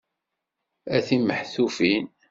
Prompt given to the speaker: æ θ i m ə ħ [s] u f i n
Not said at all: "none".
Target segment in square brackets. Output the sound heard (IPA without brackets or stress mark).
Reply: θ